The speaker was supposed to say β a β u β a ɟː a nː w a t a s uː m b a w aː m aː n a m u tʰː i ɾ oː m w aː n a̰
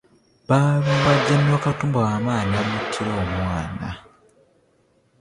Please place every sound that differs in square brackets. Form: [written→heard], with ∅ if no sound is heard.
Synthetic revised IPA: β a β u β a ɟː a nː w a [t→k] a [s→t] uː m b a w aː m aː n a m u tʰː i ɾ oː m w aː n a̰

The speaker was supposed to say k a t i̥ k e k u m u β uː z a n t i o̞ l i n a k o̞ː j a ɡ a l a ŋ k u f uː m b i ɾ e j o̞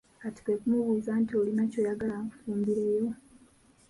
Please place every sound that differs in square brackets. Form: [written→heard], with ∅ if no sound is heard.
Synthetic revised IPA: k a t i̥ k e k u m u β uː z a n t i o̞ l i n a [k→c] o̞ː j a ɡ a l a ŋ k u f uː m b i ɾ e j o̞

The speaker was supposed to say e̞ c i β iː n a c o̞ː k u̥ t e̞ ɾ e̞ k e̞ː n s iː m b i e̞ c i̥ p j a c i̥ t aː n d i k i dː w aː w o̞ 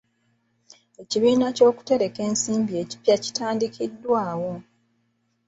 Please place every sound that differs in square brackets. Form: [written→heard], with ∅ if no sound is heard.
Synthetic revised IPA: e̞ c i β iː n a c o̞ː k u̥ t e̞ ɾ e̞ k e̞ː n s iː m b i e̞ c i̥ p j a c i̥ t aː n d i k i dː w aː w o̞

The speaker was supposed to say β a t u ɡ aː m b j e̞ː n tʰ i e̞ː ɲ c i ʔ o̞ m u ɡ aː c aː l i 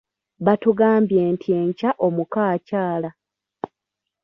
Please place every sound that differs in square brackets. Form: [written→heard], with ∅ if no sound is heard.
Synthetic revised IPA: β a t u ɡ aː m b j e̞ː n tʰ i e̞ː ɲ c [i→a] ʔ o̞ m u [ɡ→k] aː c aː l [i→a]

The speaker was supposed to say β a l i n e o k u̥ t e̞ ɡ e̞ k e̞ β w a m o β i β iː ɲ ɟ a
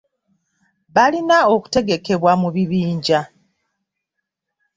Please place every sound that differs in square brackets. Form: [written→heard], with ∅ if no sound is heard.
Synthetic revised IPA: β a l i n [e→a] o k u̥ t e̞ ɡ e̞ k e̞ β w a m [o→u] β i β iː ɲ ɟ a

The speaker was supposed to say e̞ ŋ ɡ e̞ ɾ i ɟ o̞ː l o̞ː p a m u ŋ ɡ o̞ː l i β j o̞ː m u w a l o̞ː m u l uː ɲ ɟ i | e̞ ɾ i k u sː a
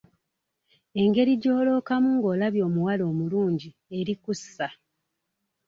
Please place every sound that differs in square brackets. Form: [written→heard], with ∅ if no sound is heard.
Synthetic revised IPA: e̞ ŋ ɡ e̞ ɾ i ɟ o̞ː l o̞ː [p→k] a m u ŋ ɡ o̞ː l [i→a] β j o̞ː m u w a l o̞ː m u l uː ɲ ɟ i | e̞ ɾ i k u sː a

